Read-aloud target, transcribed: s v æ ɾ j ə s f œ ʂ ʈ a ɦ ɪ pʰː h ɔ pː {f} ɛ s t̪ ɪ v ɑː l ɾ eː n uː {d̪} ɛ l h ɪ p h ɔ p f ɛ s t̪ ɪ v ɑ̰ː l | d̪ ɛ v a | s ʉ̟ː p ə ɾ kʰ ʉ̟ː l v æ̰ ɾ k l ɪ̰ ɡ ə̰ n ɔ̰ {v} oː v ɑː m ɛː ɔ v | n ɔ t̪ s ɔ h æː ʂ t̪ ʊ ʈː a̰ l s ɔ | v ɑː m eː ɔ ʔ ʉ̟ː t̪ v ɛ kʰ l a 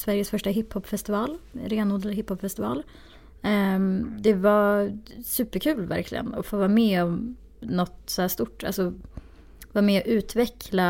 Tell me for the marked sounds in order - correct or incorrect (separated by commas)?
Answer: correct, correct, incorrect